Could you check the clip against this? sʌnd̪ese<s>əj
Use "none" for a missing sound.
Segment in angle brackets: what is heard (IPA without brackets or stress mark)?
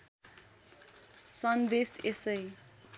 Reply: s